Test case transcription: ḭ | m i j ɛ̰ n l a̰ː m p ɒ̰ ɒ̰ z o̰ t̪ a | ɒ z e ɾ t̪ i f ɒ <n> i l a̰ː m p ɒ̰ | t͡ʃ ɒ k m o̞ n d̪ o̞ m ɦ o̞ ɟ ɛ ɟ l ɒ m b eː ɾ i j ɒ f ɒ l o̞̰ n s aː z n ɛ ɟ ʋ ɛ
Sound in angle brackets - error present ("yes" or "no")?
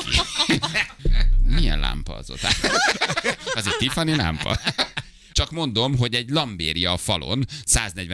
no